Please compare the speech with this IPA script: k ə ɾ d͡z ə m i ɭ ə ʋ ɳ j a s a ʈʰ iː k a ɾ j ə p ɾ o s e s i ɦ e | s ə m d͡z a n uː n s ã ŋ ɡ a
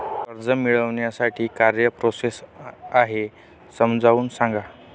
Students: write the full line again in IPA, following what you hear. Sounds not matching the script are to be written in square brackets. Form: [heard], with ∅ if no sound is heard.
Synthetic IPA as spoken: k ə ɾ d͡z ə m i ɭ ə ʋ ɳ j a s a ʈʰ iː k a ɾ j ə p ɾ o s e s [a] ɦ e | s ə m d͡z a [∅] uː n s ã ŋ ɡ a